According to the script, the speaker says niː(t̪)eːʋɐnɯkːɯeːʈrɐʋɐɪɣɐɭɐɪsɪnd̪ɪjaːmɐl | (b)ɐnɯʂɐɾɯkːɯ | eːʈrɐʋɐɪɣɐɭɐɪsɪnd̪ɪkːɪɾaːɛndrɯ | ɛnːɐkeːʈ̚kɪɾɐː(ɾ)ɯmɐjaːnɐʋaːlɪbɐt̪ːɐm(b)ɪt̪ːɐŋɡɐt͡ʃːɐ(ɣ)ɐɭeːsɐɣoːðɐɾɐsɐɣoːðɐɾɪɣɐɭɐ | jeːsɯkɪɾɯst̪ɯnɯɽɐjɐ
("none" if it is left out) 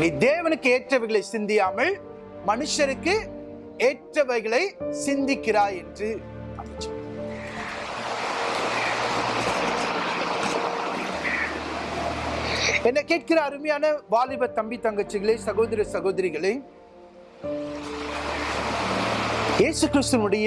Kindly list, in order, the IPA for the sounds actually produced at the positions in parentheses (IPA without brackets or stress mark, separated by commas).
d̪, m, ɾ, b, ɣ